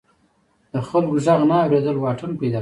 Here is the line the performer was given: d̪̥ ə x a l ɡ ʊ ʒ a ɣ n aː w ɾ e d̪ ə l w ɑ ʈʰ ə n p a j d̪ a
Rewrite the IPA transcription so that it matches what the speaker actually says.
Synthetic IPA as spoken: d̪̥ ə x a l ɡ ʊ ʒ a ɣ n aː w ɾ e d̪ ə l w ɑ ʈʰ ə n p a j d̪ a